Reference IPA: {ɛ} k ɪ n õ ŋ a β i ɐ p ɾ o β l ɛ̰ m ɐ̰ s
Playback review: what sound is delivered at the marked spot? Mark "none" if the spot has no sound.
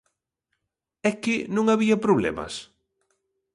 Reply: ɛ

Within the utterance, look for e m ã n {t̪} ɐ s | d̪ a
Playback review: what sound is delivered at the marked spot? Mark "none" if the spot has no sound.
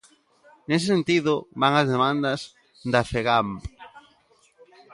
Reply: d̪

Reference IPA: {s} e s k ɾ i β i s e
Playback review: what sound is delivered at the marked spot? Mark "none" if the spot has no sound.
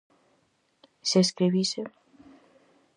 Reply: s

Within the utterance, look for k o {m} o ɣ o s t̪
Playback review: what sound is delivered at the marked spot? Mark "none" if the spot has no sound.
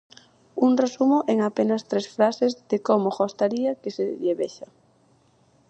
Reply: m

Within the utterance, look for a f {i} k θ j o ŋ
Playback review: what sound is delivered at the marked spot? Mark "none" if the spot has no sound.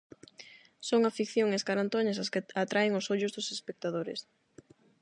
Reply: i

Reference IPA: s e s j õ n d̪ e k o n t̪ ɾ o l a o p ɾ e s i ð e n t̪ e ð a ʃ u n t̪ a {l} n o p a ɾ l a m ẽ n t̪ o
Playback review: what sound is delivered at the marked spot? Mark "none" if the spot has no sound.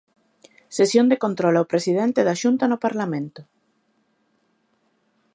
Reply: none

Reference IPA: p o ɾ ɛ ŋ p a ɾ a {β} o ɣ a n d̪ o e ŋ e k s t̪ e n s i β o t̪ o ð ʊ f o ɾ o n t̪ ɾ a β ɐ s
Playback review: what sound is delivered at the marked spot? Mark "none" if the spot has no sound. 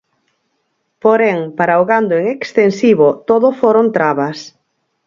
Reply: none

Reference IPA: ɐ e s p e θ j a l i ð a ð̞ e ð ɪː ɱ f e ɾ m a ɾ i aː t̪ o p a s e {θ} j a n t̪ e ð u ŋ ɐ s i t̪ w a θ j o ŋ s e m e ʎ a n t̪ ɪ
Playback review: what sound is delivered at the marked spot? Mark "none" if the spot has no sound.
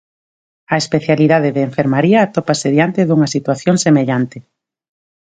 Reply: ð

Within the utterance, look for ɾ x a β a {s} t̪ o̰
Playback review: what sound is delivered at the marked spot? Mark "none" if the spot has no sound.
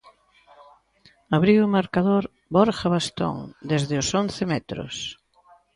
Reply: s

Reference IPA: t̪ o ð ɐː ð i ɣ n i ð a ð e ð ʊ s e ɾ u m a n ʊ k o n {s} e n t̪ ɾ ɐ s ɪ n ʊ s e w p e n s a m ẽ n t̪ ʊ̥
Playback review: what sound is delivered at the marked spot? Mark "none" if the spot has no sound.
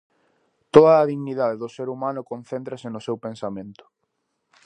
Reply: θ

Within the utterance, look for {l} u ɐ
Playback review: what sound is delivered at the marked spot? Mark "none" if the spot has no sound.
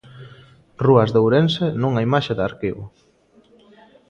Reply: r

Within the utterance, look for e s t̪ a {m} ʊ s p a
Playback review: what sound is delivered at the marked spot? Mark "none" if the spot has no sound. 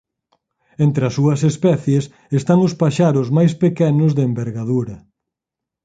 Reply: ŋ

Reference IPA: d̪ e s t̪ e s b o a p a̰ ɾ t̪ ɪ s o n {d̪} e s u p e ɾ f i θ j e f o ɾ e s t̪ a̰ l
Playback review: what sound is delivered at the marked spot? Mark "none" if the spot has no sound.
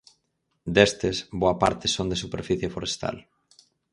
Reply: d̪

